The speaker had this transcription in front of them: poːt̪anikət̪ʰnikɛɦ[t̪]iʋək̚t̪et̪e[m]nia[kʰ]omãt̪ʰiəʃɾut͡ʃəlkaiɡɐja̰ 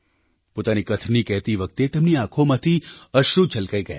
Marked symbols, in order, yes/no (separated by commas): yes, yes, yes